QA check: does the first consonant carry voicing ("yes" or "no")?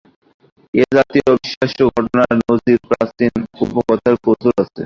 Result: yes